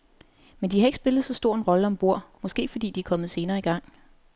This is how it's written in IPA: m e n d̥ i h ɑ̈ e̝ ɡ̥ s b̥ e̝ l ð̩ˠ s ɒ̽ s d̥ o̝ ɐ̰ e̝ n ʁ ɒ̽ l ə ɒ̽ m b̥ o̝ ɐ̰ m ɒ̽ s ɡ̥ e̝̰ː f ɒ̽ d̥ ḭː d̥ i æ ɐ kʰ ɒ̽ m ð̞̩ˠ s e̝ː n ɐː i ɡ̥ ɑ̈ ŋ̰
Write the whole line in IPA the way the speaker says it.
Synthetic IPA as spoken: m e n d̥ i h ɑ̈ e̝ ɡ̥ s b̥ e̝ l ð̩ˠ s ɒ̽ s d̥ o̝ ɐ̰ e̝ n ʁ ɒ̽ l ə ɒ̽ m b̥ o̝ ɐ̰ m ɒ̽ s ɡ̥ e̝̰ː f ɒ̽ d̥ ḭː d̥ i æ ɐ kʰ ɒ̽ m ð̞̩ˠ s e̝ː n ɐː i ɡ̥ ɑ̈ ŋ̰